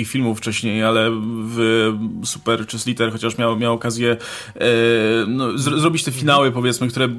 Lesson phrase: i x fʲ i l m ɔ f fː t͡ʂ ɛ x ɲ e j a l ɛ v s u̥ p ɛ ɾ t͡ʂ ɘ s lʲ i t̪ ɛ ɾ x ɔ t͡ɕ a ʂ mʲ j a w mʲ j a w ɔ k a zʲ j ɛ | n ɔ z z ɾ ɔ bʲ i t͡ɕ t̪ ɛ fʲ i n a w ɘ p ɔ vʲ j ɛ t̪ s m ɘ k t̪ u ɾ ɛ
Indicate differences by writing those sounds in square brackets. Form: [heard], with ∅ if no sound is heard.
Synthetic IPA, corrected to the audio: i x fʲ i l m [u] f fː t͡ʂ ɛ [ɕ] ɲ e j a l ɛ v s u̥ p ɛ ɾ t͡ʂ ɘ s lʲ i t̪ ɛ ɾ x ɔ t͡ɕ a ʂ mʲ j a w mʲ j a w ɔ k a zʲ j ɛ | n ɔ z z ɾ ɔ bʲ i t͡ɕ t̪ ɛ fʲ i n a w ɘ p ɔ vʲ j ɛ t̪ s m ɘ k t̪ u ɾ ɛ